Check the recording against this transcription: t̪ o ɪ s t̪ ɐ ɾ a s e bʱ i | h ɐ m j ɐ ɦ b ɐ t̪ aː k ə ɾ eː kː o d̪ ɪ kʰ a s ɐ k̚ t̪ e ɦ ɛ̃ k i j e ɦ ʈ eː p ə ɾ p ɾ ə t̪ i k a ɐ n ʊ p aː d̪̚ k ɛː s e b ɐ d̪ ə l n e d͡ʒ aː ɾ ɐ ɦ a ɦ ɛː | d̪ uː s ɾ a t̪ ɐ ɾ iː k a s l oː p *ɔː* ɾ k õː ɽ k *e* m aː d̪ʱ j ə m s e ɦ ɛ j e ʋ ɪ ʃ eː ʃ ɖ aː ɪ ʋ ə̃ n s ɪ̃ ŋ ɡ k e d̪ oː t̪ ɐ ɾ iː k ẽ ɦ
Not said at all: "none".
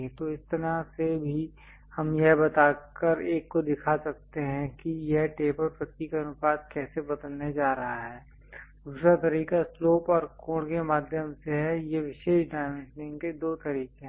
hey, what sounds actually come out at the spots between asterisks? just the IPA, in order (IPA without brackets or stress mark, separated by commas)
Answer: ɔː, e